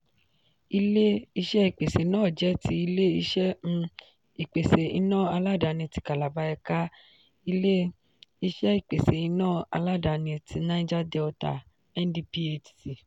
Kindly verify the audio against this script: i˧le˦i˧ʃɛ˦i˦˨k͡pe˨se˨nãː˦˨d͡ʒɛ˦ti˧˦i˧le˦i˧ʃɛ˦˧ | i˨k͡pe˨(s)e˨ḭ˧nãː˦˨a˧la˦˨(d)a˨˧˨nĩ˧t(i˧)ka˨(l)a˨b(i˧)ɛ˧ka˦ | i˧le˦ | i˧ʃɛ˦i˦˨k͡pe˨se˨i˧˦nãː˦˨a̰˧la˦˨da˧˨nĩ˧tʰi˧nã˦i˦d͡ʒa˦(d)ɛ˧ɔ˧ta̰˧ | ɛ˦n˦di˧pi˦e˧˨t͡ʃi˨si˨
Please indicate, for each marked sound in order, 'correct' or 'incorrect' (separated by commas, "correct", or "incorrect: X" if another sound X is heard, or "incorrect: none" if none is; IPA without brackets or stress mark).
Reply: correct, correct, correct, correct, incorrect: a˧, correct